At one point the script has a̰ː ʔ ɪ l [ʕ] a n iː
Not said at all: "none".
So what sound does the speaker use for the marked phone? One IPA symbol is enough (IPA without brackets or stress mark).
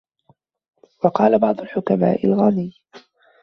ɣ